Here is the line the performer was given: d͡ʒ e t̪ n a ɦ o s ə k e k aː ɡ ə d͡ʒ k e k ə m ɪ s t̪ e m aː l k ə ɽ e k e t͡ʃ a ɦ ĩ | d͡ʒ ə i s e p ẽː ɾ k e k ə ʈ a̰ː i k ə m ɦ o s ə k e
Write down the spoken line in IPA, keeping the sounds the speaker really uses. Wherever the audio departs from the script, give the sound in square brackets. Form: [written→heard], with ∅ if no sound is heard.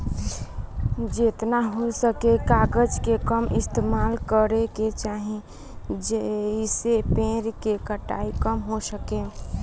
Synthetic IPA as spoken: d͡ʒ e t̪ n a ɦ o s ə k e k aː ɡ ə d͡ʒ k e k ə m ɪ s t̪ e m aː l k ə [ɽ→ɾ] e k e t͡ʃ a ɦ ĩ | d͡ʒ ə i s e p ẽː ɾ k e k ə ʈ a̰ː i k ə m ɦ o s ə k e